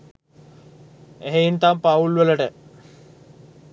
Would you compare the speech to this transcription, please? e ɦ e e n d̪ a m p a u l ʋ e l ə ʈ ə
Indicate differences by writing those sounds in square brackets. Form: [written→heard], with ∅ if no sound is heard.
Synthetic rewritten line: e ɦ e [e→i] n [d̪→t̪] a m p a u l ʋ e l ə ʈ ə